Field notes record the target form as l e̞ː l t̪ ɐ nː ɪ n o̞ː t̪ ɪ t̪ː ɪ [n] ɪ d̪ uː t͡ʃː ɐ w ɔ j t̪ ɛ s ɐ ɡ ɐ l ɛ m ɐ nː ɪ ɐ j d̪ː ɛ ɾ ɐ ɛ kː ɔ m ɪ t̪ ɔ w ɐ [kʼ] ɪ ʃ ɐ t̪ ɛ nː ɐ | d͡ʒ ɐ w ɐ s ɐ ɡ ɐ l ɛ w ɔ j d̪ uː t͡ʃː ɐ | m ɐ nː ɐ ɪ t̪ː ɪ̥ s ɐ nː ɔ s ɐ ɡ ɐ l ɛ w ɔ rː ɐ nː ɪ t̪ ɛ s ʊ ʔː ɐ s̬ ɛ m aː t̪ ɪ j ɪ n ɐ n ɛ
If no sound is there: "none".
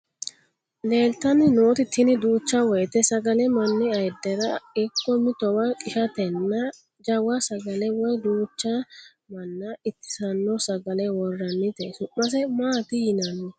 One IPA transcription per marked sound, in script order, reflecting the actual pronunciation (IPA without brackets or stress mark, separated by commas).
n, kʼ